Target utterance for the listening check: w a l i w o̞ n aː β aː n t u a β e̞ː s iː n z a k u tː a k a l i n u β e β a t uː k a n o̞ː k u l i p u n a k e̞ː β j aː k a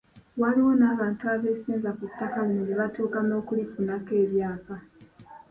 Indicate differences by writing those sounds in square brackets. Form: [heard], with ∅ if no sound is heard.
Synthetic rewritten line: w a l i w o̞ n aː β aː n t u a β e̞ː s iː n z a k u tː a k a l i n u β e β a t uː k a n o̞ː k u l i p u n a k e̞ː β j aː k a